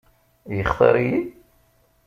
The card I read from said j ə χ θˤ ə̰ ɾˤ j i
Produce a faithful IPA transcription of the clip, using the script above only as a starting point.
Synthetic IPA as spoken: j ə χ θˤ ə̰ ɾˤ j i